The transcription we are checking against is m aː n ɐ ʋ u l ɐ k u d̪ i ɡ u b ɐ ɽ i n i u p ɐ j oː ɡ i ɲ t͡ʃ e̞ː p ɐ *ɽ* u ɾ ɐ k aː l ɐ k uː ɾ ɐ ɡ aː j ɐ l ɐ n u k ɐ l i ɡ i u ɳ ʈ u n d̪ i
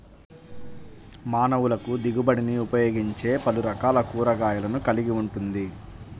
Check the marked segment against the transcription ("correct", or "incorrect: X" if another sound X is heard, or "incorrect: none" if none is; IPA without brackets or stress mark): incorrect: l